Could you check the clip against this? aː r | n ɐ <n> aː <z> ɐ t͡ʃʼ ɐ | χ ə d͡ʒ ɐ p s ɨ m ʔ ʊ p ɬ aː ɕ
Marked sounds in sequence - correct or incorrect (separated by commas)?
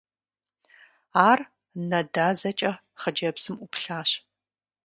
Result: incorrect, correct